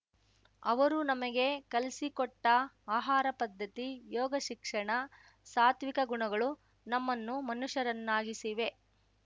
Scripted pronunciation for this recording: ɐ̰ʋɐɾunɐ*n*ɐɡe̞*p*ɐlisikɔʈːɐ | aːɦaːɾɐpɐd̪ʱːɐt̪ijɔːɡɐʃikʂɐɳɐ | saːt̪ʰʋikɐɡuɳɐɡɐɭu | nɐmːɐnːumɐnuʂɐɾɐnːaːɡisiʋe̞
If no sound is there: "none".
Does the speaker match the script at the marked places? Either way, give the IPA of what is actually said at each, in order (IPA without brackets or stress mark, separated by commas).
m, k